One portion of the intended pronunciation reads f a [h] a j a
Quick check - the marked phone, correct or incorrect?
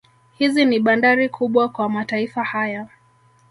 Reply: correct